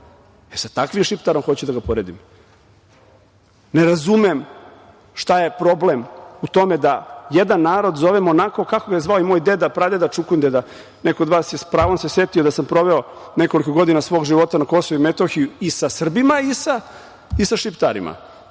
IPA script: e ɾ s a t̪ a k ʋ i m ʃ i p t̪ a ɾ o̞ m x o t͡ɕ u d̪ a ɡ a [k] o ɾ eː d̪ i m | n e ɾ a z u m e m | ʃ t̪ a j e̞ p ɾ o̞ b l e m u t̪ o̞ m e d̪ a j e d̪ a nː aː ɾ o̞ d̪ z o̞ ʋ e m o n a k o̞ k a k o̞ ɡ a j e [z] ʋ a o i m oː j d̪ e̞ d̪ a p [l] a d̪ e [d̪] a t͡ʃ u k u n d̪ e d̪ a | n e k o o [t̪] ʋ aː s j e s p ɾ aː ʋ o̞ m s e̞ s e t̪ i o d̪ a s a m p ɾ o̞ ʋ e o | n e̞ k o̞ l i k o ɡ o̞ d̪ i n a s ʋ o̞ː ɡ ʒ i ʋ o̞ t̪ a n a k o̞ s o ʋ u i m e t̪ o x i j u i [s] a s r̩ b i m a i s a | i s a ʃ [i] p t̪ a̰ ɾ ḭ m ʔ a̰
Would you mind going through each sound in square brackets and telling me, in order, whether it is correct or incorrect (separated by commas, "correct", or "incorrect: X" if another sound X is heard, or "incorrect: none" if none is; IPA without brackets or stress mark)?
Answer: incorrect: p, correct, incorrect: ɾ, correct, incorrect: d̪, correct, correct